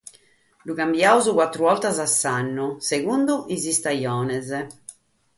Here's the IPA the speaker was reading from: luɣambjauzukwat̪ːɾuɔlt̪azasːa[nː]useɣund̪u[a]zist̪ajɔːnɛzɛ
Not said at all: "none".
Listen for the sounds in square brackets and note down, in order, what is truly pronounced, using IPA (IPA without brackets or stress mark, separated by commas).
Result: nː, i